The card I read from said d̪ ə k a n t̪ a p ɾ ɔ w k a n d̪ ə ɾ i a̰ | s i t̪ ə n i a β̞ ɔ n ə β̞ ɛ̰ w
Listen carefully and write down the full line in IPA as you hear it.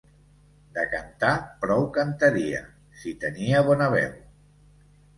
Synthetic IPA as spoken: d̪ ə k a n t̪ a p ɾ ɔ w k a n t̪ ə ɾ i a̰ | s i t̪ ə n i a β̞ ɔ n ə β̞ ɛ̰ w